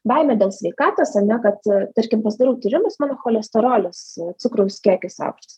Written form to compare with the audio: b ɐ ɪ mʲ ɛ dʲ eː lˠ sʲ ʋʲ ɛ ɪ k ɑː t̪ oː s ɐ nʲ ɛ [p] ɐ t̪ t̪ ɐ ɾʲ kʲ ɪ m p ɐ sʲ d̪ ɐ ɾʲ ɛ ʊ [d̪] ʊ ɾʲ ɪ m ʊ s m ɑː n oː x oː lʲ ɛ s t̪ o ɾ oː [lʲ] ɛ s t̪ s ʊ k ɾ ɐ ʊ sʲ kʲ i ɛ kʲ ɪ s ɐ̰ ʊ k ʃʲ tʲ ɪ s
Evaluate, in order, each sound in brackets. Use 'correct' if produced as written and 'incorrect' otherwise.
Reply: incorrect, incorrect, correct

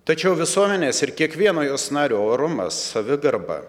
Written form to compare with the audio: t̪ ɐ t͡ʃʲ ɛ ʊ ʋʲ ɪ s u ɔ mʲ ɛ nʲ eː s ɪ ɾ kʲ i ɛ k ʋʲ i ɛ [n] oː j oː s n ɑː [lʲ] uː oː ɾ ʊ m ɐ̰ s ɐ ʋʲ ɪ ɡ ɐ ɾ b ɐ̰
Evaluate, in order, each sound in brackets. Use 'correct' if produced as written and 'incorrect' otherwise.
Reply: correct, incorrect

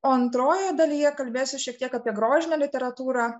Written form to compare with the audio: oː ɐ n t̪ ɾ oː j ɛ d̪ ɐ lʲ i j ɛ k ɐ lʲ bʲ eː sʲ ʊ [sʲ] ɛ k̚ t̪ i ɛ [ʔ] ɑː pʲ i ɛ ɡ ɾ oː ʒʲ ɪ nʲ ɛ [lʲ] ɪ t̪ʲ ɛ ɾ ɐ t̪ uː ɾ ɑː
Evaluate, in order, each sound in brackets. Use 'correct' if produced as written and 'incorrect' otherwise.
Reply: incorrect, incorrect, correct

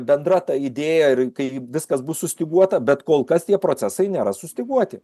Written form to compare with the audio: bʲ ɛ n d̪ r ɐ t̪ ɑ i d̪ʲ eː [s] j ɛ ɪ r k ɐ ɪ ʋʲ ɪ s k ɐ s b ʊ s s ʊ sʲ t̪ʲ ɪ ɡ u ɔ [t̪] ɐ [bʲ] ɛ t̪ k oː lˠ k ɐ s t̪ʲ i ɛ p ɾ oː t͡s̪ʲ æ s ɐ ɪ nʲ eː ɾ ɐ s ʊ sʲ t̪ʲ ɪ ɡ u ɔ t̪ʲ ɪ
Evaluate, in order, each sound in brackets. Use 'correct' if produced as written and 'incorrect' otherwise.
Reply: incorrect, correct, correct

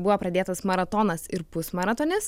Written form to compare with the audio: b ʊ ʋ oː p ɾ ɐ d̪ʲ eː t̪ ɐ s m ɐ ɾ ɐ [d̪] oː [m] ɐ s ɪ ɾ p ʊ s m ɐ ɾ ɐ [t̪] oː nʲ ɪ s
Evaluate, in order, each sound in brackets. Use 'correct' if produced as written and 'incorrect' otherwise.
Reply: incorrect, incorrect, correct

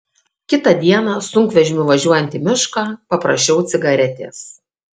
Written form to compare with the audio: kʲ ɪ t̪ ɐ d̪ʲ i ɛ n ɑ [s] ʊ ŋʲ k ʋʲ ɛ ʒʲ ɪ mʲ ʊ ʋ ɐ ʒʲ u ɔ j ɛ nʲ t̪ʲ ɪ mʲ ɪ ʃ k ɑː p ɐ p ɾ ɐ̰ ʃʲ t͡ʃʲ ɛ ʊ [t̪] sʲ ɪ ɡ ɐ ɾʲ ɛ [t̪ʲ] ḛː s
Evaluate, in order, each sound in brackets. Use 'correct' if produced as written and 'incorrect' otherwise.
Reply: correct, correct, correct

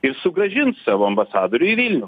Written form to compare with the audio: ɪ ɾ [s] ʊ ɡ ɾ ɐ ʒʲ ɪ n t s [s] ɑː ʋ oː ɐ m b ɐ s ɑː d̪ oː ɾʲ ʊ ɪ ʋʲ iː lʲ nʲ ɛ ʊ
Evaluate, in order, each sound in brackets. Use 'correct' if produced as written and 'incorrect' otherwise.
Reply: correct, correct

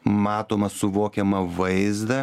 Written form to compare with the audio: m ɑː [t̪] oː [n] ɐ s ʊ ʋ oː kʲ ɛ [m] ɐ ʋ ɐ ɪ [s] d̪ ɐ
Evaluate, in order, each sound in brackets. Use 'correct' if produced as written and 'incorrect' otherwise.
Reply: correct, incorrect, correct, incorrect

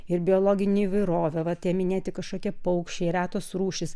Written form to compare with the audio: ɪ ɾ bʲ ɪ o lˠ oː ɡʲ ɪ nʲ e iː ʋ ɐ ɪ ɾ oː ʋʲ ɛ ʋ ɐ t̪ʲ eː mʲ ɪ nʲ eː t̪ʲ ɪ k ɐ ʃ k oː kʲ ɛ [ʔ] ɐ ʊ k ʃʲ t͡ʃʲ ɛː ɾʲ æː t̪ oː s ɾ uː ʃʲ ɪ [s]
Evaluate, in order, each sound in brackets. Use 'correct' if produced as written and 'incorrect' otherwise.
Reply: incorrect, correct

